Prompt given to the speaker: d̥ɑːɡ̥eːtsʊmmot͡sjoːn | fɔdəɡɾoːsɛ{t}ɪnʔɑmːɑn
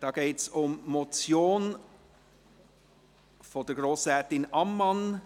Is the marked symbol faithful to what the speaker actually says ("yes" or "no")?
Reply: yes